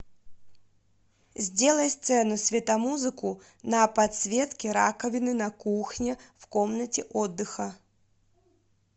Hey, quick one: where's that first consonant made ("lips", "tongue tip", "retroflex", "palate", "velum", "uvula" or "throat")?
tongue tip